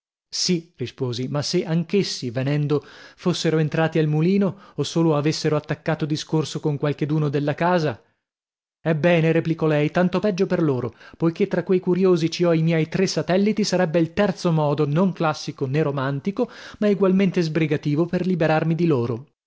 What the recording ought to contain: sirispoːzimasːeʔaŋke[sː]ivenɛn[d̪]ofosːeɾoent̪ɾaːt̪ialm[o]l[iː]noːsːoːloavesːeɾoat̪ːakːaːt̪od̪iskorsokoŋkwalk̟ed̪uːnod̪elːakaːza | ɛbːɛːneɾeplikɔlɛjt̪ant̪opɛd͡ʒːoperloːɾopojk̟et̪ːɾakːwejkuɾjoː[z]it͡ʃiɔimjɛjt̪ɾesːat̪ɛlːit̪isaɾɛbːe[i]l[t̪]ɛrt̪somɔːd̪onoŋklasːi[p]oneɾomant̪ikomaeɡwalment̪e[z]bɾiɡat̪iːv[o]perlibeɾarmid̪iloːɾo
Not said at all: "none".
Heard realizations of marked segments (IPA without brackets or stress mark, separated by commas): sː, d̪, u, iː, z, i, t̪, k, z, o